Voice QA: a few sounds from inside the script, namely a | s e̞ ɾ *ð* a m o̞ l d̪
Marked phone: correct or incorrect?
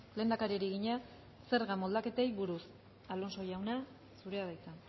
incorrect: ɣ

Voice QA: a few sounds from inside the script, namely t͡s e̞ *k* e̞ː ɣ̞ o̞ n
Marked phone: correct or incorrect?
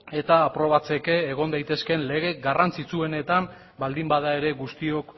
correct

